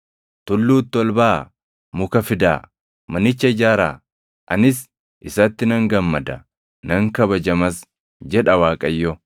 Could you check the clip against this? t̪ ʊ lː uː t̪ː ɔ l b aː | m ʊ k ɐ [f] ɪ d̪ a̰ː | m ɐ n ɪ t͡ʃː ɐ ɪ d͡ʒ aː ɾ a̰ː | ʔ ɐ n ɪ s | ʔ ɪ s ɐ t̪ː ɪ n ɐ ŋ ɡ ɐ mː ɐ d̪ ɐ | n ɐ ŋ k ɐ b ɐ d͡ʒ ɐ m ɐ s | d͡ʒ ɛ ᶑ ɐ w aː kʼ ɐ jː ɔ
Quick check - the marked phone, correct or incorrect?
correct